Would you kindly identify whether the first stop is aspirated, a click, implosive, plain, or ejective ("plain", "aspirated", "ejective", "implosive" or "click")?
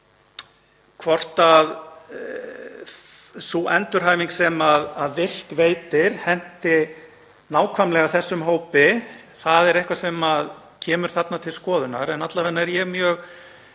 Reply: aspirated